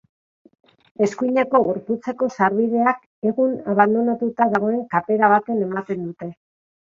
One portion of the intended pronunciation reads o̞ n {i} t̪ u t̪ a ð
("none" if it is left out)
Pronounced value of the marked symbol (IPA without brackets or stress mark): a